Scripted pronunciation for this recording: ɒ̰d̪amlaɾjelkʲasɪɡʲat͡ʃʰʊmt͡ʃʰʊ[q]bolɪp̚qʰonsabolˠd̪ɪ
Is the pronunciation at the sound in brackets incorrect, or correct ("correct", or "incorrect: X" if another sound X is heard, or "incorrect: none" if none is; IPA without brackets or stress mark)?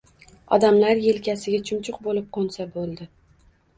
correct